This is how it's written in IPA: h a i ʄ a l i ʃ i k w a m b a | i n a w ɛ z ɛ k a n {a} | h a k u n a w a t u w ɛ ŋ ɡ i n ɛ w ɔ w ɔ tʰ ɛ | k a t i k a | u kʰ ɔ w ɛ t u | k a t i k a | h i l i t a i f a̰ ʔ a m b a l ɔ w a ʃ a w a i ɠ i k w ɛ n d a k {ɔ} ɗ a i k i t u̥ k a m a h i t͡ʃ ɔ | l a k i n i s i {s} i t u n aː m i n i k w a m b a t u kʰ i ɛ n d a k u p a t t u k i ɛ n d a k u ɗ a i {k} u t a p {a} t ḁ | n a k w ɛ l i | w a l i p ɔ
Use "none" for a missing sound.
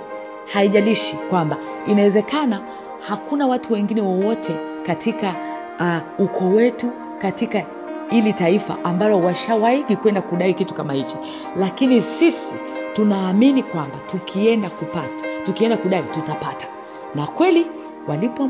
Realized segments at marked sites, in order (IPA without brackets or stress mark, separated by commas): a, u, s, t, a